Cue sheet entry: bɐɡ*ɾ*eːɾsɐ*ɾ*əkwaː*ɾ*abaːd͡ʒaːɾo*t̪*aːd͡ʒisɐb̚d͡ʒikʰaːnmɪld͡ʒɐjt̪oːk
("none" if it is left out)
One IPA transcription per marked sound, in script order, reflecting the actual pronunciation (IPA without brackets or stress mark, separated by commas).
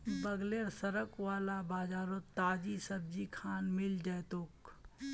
l, ɾ, l, t̪